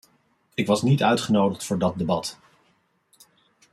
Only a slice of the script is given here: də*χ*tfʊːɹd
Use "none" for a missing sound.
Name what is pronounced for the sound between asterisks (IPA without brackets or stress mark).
χ